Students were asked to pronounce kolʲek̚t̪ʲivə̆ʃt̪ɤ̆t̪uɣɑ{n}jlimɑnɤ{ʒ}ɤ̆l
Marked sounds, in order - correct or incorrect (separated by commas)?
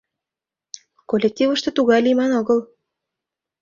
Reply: incorrect, incorrect